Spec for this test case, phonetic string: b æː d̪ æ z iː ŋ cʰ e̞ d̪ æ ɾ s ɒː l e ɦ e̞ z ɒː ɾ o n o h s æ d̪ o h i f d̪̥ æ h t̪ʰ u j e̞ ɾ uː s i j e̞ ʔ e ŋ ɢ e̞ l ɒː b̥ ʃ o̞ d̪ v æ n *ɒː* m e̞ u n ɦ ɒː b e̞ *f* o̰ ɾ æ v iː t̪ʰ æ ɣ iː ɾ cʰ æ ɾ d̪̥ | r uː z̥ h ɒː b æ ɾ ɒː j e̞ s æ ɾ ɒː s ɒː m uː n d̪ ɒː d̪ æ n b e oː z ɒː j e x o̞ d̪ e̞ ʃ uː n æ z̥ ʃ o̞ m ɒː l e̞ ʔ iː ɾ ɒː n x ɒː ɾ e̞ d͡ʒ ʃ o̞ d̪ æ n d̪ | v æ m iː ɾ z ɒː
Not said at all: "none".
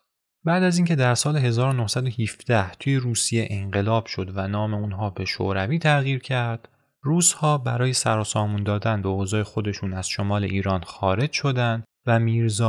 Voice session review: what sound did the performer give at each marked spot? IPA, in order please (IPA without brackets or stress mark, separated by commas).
ɒː, ʃ